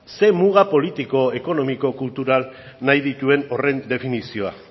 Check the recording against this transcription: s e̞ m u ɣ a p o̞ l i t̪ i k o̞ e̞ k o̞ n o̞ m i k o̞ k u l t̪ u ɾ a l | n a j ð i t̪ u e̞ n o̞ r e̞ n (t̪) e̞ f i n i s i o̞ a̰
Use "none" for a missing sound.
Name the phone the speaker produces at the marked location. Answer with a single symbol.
d̪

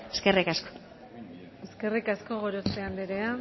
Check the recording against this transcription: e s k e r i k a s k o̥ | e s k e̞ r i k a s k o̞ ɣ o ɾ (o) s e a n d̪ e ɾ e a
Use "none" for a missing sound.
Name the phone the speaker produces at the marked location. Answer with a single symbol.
o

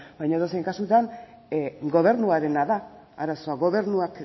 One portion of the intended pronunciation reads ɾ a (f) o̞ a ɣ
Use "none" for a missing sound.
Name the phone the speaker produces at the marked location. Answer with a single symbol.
s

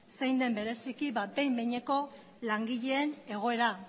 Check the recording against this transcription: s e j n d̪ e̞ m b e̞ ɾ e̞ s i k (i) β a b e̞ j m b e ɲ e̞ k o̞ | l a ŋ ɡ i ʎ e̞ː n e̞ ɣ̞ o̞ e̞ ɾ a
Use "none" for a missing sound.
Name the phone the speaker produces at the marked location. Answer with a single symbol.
i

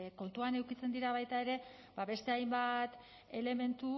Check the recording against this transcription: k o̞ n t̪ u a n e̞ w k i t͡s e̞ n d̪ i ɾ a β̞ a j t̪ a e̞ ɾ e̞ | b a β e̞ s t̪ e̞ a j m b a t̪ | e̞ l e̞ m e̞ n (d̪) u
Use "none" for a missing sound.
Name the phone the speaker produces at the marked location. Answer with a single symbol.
t̪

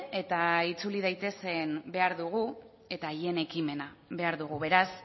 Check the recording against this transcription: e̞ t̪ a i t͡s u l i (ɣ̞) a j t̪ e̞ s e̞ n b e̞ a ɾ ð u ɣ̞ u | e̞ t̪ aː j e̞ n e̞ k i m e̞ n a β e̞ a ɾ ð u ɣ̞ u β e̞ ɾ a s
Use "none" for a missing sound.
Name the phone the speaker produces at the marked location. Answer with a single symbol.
ð̞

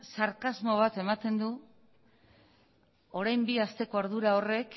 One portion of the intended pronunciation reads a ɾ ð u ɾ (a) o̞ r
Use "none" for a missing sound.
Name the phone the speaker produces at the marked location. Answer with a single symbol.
a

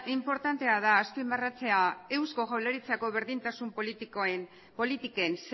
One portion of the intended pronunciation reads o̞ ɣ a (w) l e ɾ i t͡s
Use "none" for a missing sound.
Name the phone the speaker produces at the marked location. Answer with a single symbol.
w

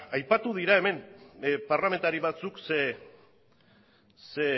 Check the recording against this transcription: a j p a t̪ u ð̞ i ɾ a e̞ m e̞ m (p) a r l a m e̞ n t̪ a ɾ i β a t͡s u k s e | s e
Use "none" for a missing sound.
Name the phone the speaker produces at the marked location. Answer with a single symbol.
p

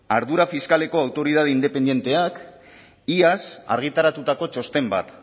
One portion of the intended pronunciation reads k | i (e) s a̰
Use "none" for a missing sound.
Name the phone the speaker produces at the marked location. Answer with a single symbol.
a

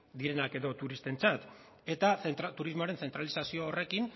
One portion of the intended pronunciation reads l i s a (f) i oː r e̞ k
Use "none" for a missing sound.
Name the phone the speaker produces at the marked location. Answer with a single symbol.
s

